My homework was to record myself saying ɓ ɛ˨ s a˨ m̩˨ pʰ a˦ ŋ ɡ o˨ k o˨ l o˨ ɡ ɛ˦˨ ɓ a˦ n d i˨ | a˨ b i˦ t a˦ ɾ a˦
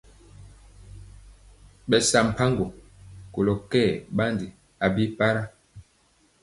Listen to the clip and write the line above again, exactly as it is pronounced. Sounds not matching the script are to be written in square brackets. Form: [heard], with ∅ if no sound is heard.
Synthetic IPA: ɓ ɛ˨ s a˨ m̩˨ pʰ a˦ ŋ ɡ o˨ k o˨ l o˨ [k] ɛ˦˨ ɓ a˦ n d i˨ | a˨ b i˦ [p] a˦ ɾ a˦